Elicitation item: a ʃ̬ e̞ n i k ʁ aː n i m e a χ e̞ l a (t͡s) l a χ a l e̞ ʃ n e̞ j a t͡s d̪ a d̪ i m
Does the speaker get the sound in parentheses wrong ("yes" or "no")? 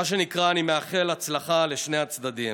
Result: no